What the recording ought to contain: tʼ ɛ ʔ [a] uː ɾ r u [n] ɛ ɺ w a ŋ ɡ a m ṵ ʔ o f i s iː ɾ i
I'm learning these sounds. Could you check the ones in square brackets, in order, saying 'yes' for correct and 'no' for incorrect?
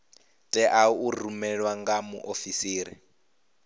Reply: yes, no

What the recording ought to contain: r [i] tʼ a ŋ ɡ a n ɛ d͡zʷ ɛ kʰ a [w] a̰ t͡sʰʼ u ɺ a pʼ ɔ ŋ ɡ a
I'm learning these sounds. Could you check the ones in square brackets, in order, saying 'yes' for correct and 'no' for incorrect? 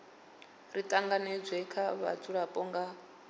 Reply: yes, no

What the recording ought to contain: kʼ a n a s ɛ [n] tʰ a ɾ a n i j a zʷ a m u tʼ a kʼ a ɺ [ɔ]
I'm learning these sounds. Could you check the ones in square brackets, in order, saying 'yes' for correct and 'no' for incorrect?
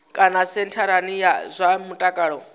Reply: yes, yes

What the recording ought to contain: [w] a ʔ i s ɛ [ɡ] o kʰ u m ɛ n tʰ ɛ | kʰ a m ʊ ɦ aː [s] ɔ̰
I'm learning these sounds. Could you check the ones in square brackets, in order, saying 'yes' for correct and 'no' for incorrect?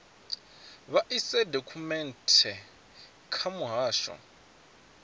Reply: no, no, no

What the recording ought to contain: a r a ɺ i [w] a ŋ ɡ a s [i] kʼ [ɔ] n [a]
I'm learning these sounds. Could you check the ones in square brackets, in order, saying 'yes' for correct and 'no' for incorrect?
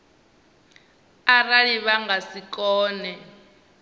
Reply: no, yes, no, no

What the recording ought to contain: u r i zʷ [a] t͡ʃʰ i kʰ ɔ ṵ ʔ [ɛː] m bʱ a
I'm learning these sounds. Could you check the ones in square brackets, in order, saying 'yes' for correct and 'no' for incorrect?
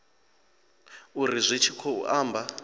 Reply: no, no

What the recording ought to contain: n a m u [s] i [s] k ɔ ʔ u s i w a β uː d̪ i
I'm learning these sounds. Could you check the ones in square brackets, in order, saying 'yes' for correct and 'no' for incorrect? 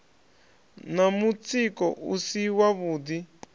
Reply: no, no

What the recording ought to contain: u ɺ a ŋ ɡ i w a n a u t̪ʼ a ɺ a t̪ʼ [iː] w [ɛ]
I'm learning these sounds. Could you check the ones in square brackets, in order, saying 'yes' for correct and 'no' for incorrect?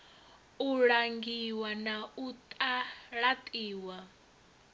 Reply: yes, no

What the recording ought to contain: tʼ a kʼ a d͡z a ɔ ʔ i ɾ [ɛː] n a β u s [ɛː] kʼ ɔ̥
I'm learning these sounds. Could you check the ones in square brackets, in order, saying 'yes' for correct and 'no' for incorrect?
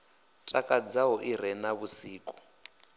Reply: no, no

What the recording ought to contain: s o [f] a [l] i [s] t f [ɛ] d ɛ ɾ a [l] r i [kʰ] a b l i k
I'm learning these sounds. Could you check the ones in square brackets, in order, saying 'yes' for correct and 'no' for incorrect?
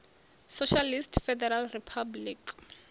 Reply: no, yes, yes, yes, yes, no

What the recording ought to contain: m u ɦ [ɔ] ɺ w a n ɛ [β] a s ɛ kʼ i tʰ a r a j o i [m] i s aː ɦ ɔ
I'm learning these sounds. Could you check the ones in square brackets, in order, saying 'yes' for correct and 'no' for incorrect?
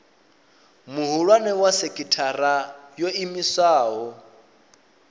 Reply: no, no, yes

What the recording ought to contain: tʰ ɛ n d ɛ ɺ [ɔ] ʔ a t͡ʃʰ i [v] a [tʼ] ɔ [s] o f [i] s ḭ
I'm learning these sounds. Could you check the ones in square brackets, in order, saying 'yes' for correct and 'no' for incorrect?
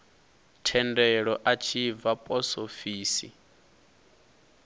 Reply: yes, yes, no, yes, no

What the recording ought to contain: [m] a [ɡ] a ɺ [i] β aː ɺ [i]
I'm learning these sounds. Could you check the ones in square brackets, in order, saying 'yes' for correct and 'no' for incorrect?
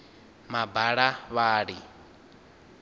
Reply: yes, no, no, yes

